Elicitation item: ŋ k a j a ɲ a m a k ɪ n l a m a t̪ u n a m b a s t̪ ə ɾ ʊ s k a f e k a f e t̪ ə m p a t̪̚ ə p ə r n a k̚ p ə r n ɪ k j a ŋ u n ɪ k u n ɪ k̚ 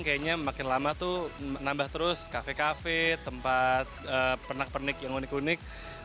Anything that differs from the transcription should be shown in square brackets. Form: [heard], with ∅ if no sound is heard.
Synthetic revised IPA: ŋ k a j a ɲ a m a k ɪ n l a m a t̪ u n a m b a [h] t̪ ə ɾ ʊ s k a f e k a f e t̪ ə m p a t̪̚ ə p ə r n a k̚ p ə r n ɪ k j a ŋ u n ɪ k u n ɪ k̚